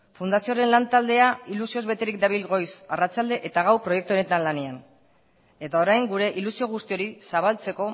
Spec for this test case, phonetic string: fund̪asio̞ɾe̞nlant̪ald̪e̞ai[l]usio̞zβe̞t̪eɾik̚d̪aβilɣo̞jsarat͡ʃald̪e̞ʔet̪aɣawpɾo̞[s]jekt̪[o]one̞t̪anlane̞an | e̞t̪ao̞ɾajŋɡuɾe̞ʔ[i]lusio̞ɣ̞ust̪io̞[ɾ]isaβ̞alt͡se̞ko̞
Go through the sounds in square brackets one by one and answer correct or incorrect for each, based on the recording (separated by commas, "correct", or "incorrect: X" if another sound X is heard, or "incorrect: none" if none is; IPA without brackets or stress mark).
correct, incorrect: none, incorrect: u, correct, correct